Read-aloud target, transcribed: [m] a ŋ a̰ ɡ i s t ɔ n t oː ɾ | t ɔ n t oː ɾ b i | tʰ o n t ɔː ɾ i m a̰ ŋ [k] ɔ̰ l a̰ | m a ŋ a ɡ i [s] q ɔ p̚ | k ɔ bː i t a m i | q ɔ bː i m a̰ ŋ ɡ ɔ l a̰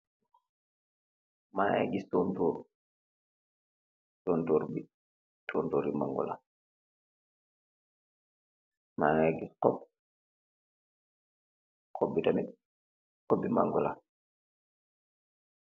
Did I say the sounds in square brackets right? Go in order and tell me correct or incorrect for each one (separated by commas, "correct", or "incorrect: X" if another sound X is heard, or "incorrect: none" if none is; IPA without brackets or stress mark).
correct, incorrect: ɡ, correct